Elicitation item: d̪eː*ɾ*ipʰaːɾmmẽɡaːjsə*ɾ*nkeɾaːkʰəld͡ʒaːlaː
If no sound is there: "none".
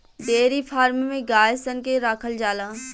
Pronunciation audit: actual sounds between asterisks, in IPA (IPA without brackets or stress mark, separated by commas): ɾ, none